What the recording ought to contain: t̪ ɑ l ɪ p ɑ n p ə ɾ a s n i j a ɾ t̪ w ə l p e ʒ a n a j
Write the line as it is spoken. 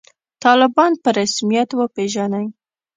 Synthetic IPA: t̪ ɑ l ɪ b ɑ n p ə ɾ a s m i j a t̪ w ə p e ʒ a n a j